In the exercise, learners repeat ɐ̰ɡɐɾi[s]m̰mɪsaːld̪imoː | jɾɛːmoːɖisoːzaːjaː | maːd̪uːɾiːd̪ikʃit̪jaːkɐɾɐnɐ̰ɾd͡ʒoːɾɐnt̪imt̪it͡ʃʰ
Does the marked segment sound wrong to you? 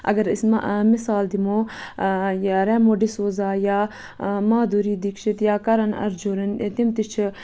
no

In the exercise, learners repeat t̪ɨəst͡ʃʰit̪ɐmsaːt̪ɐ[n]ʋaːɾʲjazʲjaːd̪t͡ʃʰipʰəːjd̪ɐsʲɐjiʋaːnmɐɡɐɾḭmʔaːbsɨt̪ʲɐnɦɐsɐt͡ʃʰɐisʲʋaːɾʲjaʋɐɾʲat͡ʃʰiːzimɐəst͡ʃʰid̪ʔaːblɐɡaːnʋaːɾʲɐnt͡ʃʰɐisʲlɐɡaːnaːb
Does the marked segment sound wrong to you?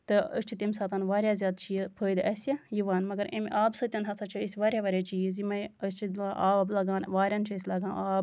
no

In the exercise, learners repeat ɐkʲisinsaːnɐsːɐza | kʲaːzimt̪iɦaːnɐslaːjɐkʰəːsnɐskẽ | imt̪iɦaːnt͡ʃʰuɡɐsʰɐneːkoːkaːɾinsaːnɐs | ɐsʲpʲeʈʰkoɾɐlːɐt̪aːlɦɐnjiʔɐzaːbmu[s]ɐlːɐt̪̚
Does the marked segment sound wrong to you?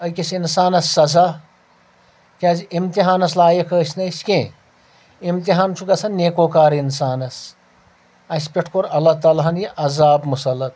no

